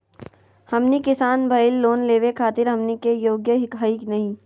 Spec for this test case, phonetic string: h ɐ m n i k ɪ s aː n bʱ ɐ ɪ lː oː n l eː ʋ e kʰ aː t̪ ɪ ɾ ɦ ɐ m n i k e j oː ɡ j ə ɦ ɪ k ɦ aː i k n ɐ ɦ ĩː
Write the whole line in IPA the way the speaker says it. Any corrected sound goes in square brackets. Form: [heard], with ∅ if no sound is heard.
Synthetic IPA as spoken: h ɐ m n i k ɪ s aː n bʱ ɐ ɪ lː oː n l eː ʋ e kʰ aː t̪ ɪ ɾ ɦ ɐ m n i k e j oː ɡ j ə ɦ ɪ k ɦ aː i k n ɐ ɦ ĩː